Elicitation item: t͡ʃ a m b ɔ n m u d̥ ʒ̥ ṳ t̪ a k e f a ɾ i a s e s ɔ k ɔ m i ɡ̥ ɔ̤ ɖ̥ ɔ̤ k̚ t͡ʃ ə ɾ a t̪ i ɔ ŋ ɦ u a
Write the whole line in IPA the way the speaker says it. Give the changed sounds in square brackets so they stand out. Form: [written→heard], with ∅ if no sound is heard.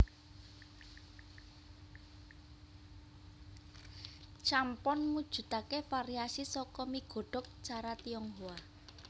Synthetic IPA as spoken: t͡ʃ a m [b→p] ɔ n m u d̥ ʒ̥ ṳ t̪ a k e f a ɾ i a s [e→i] s ɔ k ɔ m i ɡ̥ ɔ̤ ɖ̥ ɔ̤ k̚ t͡ʃ [ə→a] ɾ a t̪ i ɔ ŋ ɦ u a